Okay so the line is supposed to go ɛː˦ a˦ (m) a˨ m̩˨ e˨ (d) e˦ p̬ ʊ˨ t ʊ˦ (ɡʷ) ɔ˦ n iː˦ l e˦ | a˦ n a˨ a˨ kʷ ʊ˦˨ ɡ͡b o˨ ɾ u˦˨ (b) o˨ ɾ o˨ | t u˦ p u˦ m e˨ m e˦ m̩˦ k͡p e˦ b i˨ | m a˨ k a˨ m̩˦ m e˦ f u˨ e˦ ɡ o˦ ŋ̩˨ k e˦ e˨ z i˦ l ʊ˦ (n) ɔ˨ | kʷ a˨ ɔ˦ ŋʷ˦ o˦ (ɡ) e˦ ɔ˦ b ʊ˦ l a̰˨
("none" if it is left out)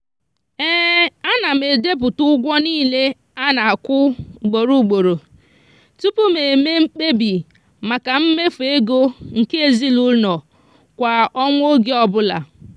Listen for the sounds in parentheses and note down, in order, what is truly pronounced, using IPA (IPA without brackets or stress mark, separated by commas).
n, d, ɡʷ, ɡ͡b, n, ɡ